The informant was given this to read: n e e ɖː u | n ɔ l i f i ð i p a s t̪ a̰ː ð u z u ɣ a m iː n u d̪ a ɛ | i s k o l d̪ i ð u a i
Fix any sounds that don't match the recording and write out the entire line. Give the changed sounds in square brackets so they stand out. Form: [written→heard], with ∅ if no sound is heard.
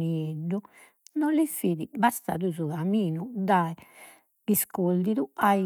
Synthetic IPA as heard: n [e→i] e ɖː u | n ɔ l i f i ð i [p→b] a s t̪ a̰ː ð u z u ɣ a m iː n u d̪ a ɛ | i s k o l d̪ i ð u a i

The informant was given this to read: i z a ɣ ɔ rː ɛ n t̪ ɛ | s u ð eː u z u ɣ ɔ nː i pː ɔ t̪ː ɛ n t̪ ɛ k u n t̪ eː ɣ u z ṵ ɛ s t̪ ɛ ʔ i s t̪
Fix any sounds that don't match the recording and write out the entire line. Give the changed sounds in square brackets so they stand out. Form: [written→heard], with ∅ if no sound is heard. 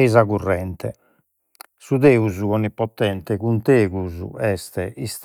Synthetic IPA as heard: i z a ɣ [ɔ→u] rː ɛ n t̪ ɛ | s u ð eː u z u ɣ ɔ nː i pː ɔ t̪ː ɛ n t̪ ɛ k u n t̪ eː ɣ u z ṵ ɛ s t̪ ɛ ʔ i s t̪

